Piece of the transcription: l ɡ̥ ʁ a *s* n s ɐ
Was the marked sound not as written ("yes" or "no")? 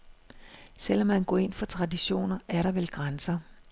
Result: yes